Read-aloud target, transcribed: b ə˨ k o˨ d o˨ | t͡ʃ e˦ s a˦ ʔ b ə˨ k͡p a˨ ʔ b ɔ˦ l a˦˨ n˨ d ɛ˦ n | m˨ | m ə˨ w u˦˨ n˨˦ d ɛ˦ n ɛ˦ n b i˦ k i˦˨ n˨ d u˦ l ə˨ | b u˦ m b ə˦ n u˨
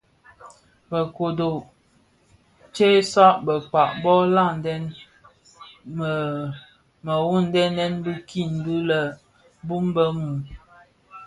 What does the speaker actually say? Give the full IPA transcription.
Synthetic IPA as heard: b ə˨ k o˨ d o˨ | t͡ʃ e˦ s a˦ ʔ b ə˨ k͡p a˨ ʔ b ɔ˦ l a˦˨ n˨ d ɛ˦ n | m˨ | m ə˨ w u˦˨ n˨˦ d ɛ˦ n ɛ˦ n b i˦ k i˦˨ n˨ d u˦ l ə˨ | b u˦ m b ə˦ m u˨

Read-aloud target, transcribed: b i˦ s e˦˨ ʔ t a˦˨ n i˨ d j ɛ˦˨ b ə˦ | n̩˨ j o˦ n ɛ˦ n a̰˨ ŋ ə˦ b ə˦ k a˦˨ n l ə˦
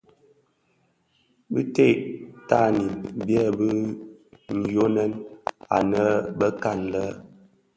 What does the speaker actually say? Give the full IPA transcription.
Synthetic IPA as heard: b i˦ t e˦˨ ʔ t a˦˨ n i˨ b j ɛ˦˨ b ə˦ | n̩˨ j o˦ n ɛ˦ n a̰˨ n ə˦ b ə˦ k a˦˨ n l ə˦

